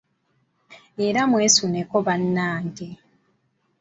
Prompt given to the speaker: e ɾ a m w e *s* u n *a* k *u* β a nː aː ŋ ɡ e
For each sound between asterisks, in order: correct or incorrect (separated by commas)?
correct, incorrect, incorrect